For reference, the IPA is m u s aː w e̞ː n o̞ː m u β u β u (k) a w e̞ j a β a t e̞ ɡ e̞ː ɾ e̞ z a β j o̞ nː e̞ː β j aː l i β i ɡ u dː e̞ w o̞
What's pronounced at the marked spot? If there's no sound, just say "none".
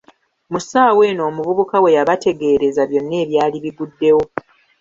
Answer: k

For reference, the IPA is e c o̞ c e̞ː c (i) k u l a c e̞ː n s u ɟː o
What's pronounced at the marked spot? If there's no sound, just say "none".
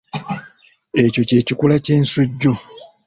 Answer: i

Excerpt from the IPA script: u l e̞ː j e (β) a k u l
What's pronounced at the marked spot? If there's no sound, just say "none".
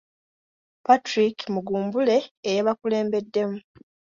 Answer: β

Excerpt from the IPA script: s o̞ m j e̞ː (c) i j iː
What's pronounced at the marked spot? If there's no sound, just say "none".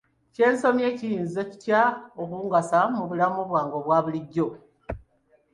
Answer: c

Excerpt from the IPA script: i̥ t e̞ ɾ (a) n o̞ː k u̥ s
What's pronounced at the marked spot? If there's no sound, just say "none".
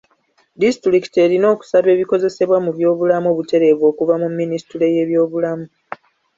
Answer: i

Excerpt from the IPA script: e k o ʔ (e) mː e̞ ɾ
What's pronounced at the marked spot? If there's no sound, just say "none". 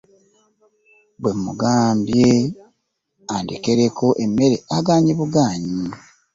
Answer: e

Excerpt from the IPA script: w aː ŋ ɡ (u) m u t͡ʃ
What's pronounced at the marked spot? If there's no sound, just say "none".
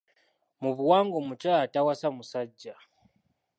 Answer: o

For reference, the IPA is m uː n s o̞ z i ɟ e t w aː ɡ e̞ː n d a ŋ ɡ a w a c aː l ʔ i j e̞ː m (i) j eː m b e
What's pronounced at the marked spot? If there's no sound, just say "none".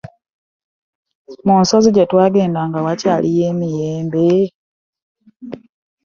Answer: i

